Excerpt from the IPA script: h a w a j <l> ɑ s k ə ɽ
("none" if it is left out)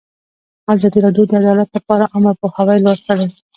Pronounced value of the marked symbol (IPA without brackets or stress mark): l